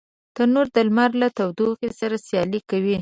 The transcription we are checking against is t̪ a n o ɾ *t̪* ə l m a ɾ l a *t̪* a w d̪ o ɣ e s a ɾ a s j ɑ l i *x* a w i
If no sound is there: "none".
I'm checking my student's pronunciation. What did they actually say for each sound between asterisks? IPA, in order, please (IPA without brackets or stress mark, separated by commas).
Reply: d̪, t̪, k